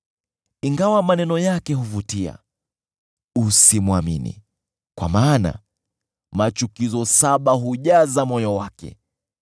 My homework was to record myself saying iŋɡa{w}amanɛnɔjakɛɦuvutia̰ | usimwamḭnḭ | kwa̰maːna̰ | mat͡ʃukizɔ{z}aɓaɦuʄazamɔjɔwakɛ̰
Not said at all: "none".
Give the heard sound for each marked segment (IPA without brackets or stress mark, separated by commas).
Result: w, s